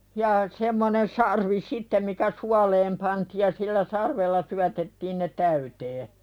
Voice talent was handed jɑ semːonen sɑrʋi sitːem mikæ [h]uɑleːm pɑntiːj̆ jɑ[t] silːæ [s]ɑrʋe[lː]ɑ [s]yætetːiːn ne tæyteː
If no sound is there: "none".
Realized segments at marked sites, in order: s, none, s, lː, s

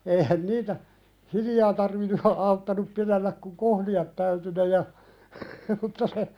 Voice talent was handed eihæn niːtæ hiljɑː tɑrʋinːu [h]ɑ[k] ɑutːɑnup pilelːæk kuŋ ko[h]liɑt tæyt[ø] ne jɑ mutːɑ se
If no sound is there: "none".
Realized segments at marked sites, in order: h, none, h, y

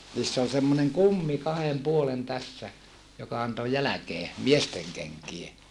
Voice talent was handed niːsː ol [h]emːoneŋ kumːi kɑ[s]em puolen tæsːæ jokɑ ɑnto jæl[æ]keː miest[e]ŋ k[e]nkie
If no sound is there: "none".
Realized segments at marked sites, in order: s, h, æ, e, e

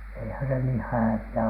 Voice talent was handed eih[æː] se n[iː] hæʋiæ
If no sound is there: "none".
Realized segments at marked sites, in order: æ, iː

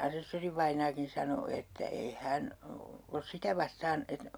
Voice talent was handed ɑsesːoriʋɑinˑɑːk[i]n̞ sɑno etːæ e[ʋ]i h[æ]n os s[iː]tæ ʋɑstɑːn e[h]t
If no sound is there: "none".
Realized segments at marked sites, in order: i, none, æ, i, none

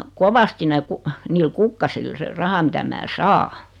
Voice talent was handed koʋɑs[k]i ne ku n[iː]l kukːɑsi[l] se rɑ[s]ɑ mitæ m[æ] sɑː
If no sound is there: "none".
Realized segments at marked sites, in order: t, iː, l, h, æː

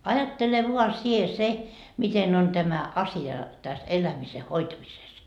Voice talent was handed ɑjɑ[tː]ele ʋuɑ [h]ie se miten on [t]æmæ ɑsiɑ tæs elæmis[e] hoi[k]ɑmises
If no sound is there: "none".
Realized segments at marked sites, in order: tː, s, t, e, t

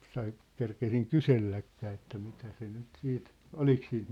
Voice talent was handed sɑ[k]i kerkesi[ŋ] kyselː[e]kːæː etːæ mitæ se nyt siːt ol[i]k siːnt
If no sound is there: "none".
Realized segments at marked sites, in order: none, ŋ, æ, i

